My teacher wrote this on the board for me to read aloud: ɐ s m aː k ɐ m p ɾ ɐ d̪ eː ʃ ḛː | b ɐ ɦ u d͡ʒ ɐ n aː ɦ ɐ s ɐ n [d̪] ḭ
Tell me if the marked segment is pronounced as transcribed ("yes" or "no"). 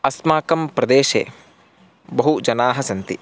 no